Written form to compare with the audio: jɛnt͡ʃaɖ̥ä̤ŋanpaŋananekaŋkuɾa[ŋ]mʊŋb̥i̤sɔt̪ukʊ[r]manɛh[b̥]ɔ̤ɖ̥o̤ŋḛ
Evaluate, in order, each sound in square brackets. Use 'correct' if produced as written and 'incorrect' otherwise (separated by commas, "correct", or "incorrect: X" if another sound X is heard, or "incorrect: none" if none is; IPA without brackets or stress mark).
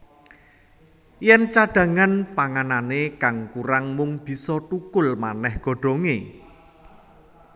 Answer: correct, incorrect: l, incorrect: ɡ̥